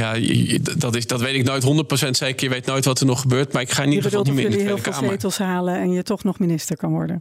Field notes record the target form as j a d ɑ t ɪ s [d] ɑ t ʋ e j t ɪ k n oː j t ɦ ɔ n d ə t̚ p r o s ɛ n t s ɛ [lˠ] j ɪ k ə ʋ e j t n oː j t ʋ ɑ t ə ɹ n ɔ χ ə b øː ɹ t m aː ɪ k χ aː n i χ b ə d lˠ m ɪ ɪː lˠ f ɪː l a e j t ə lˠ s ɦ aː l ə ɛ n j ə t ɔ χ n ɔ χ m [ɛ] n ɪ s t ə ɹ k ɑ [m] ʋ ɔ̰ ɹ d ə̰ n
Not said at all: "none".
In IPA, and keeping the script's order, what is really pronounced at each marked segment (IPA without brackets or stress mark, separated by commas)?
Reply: d, none, i, n